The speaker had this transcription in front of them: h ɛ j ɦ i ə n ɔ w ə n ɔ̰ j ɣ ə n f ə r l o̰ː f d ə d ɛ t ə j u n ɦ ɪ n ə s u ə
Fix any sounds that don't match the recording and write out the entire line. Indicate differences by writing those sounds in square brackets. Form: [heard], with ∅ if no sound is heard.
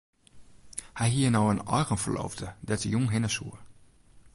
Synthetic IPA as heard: h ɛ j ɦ i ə n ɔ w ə n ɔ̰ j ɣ ə n f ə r l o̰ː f d ə d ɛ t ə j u [ŋ] ɦ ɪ n ə s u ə